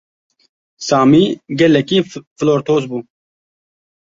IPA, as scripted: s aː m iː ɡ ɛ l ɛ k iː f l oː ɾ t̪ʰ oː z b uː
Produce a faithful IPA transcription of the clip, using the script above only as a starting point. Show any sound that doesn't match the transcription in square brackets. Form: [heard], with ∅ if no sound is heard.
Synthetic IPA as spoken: s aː m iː ɡ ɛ l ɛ k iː f l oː ɾ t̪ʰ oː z b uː